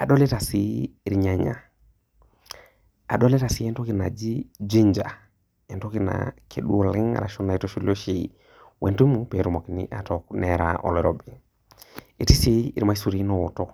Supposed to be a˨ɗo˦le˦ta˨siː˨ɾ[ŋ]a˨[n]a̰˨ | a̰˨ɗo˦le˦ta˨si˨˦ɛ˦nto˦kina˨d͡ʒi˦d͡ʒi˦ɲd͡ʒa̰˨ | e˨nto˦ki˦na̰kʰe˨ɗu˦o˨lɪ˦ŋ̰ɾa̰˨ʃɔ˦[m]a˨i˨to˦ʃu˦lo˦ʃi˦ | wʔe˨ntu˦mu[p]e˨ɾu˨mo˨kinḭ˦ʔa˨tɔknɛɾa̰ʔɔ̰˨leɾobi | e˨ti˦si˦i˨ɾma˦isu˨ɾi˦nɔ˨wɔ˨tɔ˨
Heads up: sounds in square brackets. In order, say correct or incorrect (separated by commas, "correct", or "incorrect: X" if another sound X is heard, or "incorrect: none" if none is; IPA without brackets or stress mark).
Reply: incorrect: ɲ, incorrect: ɲ, incorrect: n, correct